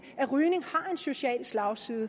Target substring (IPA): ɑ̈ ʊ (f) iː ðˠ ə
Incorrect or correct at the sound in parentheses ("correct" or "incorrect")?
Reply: incorrect